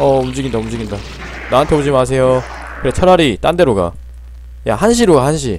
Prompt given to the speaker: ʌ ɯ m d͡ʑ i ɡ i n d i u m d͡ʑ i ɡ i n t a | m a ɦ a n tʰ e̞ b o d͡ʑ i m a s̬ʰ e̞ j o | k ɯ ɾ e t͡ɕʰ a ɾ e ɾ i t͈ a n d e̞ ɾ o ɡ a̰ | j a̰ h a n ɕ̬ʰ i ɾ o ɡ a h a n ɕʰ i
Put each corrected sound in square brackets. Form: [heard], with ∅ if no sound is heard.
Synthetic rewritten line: ʌ [u] m d͡ʑ i ɡ i n d [a] u m d͡ʑ i ɡ i n [d] a | [n] a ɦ a n tʰ e̞ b o d͡ʑ i m a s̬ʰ e̞ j o | k ɯ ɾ e t͡ɕʰ [ʌ] ɾ [a] ɾ i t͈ a n d e̞ ɾ o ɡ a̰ | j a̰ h a n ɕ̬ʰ i ɾ o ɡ a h a n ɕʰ i